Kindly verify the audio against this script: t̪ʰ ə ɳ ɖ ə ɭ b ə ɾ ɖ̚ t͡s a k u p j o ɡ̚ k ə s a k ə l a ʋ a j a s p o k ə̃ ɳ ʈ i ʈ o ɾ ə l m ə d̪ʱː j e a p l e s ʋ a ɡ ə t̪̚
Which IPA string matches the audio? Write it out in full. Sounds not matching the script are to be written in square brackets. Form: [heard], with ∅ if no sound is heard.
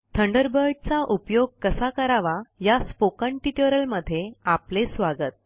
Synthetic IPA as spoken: t̪ʰ ə ɳ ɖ ə [ɾ] b ə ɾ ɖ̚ t͡s a [ʔ] u p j o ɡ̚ k ə s a k ə [ɾ] a ʋ a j a s p o k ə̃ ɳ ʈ i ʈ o ɾ ə l m ə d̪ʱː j e a p l e s ʋ a ɡ ə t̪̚